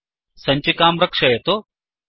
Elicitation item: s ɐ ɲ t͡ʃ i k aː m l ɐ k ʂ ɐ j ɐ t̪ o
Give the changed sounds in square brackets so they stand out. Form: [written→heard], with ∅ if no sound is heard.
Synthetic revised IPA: s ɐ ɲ t͡ʃ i k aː m [l→ɾ] ɐ k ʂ ɐ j ɐ t̪ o